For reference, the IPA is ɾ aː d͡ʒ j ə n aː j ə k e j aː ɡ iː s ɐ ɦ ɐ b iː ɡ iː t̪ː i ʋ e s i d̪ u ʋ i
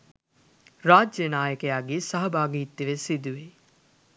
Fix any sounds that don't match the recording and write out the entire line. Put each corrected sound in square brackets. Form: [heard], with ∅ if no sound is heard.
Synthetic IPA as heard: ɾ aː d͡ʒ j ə n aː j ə k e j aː ɡ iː s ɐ ɦ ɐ b [aː] ɡ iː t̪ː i ʋ e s i d̪ u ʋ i